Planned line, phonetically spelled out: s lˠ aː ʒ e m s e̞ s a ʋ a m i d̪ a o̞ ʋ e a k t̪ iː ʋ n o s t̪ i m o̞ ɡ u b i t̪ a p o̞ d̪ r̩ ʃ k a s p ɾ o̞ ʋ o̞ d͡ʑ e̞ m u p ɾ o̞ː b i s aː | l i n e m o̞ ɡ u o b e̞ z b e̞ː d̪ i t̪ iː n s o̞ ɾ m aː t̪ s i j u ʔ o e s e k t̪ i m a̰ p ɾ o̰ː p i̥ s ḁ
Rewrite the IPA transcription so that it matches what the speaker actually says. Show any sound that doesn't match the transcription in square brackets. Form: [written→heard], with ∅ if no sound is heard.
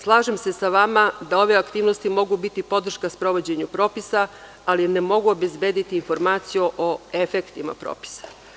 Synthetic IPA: s lˠ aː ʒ e m s e̞ s a ʋ a m [i→a] d̪ a o̞ ʋ e a k t̪ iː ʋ n o s t̪ i m o̞ ɡ u b i t̪ [a→i] p o̞ d̪ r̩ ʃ k a s p ɾ o̞ ʋ o̞ d͡ʑ e̞ [m→ɲ] u p ɾ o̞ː [b→p] i s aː | l i n e m o̞ ɡ u o b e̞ z b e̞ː d̪ i t̪ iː n [s→f] o̞ ɾ m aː t̪ s i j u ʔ o e [s→f] e k t̪ i m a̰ p ɾ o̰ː p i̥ s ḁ